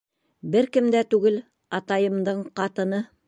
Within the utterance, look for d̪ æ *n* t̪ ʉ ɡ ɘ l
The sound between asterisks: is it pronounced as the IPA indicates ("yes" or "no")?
no